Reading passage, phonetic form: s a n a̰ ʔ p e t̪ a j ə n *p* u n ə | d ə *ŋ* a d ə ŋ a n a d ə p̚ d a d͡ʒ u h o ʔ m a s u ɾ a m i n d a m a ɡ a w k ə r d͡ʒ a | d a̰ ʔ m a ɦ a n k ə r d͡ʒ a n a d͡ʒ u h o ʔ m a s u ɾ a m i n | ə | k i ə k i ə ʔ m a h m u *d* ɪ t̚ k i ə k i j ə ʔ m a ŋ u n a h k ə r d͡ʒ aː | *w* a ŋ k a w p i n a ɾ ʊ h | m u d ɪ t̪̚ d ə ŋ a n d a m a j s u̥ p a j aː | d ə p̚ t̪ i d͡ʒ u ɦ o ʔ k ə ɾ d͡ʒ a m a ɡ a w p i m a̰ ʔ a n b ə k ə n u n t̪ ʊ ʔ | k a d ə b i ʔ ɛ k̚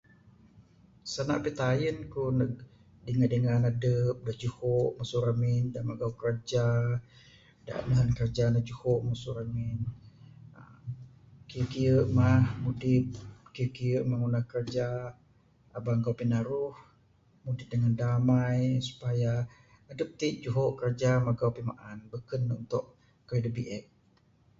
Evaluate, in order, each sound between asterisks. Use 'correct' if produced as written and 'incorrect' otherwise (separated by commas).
incorrect, correct, correct, incorrect